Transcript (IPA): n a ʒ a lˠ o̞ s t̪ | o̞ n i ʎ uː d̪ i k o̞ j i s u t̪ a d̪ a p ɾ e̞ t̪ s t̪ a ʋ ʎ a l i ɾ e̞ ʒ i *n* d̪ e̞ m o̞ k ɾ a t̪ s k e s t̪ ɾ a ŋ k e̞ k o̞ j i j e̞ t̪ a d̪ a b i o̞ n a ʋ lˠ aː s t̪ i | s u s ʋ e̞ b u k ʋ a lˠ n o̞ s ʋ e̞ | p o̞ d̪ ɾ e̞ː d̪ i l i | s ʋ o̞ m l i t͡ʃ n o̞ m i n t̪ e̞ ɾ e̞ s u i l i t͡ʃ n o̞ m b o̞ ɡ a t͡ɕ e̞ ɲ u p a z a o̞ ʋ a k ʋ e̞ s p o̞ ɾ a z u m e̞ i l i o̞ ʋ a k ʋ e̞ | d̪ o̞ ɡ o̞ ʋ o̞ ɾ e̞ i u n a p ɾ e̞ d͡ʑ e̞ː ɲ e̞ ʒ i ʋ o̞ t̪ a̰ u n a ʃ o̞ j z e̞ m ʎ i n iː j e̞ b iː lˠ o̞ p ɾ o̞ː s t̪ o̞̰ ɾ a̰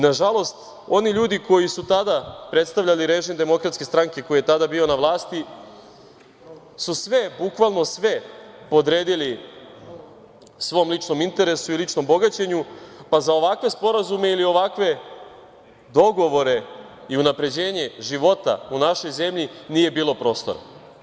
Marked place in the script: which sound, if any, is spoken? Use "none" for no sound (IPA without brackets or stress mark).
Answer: m